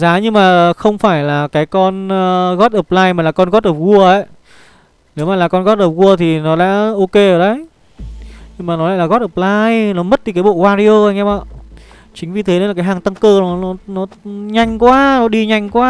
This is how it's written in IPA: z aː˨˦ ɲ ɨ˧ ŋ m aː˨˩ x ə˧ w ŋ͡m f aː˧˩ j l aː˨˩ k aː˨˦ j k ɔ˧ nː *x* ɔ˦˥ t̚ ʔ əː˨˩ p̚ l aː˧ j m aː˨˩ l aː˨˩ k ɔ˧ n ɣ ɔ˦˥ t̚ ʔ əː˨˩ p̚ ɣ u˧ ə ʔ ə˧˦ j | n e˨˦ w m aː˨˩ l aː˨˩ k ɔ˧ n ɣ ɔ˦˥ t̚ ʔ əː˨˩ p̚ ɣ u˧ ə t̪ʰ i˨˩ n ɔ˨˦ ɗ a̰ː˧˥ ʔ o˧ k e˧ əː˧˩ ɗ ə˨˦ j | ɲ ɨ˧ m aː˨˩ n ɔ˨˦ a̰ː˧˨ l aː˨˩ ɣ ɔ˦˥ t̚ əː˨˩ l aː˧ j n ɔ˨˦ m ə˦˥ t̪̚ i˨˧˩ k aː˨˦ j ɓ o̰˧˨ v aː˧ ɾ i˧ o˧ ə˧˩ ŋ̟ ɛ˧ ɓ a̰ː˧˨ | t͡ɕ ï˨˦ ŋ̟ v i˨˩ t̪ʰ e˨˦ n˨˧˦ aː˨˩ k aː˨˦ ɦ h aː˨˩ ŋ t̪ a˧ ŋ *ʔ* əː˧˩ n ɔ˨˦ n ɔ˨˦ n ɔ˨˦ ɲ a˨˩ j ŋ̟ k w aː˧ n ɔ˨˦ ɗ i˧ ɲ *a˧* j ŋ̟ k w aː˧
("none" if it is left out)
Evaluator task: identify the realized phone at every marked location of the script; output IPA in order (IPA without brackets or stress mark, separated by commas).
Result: ɣ, k, a˨˩